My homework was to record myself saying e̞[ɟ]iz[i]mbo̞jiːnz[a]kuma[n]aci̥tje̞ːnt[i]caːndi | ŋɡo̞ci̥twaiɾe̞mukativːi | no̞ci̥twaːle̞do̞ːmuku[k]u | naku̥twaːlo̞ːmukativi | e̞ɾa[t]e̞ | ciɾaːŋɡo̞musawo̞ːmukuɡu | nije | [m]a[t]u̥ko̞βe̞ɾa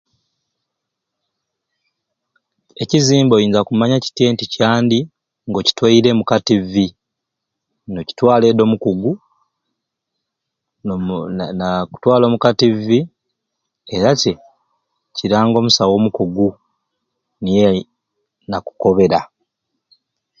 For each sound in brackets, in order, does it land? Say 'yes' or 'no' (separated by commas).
no, no, yes, no, yes, no, no, no, no